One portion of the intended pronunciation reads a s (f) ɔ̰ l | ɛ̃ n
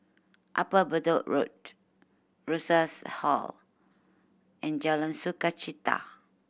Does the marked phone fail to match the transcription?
yes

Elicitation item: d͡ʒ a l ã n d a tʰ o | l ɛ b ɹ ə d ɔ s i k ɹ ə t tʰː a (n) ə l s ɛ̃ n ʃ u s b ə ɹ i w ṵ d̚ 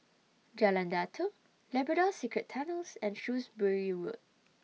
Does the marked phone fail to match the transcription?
no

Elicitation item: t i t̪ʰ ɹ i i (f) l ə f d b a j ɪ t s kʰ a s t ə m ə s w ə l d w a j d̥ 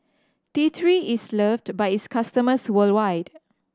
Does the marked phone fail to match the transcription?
yes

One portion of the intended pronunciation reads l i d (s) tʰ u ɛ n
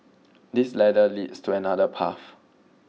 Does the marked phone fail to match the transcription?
no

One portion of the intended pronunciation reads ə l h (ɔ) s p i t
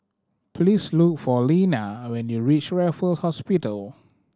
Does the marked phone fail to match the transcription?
no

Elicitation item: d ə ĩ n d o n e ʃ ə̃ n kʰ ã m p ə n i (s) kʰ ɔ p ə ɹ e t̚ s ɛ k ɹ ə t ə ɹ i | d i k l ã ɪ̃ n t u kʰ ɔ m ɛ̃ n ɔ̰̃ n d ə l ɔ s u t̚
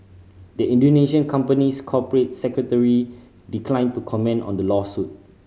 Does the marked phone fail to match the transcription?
no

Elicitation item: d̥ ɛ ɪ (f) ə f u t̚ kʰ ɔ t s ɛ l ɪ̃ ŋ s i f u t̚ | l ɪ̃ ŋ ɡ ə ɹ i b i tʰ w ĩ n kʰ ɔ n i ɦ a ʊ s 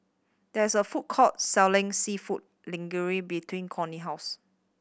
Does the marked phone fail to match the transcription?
yes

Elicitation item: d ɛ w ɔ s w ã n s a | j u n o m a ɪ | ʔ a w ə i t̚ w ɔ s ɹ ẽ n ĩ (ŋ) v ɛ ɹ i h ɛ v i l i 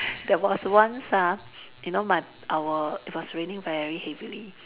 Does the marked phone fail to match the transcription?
no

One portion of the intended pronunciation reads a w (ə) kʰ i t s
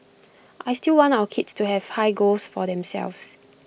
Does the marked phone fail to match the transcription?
no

